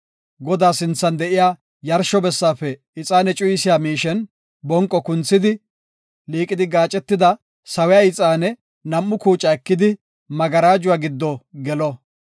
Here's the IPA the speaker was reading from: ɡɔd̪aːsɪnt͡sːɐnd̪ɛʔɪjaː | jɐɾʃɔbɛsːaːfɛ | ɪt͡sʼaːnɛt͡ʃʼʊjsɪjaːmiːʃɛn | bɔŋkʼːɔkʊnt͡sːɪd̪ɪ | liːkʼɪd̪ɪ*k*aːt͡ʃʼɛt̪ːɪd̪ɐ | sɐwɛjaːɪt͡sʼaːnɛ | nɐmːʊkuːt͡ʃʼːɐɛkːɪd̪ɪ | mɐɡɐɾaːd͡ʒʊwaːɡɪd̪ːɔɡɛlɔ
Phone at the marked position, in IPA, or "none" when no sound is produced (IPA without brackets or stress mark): ɡ